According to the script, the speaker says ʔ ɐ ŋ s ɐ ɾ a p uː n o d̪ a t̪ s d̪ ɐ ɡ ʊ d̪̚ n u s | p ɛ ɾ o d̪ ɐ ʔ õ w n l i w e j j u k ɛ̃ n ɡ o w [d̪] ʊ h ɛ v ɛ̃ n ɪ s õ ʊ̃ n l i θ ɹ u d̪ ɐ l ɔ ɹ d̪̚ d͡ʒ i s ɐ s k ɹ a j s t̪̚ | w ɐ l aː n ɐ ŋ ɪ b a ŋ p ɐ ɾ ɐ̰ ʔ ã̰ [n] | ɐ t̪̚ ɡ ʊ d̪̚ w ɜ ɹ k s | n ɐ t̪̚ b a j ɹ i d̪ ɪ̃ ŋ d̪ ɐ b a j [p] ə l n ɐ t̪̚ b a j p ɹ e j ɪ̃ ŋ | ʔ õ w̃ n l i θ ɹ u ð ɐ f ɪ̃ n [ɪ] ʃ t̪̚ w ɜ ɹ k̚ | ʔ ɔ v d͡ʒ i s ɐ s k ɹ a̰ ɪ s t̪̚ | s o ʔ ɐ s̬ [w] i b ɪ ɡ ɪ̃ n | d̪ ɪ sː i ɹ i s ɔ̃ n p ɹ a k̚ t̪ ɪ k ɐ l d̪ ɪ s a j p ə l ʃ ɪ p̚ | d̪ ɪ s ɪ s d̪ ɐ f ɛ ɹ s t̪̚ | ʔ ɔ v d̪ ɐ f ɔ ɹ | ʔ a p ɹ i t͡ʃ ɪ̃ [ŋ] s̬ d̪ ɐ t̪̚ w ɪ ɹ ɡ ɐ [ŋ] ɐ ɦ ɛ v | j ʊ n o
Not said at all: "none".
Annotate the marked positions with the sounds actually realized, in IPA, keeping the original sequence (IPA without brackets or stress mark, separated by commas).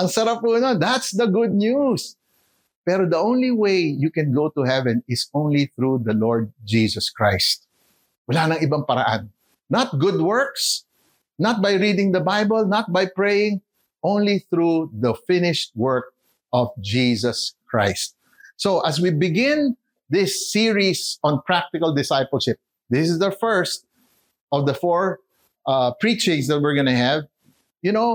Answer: t̪, nː, b, ɪ, w, ŋ, n